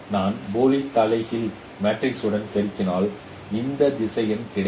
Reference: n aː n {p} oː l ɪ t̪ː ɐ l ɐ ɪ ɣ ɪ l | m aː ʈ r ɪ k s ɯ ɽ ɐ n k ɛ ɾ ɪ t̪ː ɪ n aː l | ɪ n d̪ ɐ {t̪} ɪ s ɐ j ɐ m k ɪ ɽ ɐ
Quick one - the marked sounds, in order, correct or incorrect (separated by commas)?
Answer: incorrect, incorrect